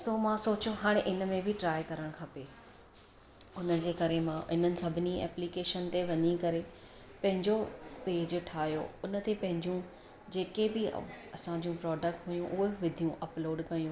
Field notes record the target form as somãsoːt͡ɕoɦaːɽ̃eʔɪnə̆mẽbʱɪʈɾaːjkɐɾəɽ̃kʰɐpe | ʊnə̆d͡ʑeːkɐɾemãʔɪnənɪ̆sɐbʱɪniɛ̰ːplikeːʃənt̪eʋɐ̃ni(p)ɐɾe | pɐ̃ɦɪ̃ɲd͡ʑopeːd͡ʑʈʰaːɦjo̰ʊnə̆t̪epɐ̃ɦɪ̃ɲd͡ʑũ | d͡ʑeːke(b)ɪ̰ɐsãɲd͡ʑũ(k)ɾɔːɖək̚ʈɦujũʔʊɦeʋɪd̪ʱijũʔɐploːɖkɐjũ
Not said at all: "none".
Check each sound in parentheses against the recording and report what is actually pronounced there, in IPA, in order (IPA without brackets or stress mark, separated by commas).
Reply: k, b, p